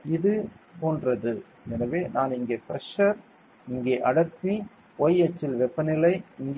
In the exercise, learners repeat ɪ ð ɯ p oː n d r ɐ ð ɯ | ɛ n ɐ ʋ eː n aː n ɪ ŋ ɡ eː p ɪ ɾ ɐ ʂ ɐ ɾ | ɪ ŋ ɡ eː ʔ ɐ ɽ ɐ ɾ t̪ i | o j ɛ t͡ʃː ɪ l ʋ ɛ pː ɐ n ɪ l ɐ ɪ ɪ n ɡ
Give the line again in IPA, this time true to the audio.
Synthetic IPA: ɪ ð ɯ p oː n d r ɐ ð ɯ | ɛ n ɐ ʋ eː n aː n ɪ ŋ ɡ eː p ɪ ɾ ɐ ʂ ɐ ɾ | ɪ ŋ ɡ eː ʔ ɐ ɽ ɐ ɾ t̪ i | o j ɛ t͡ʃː ɪ l ʋ ɛ pː ɐ n ɪ l ɐ ɪ ɪ ŋ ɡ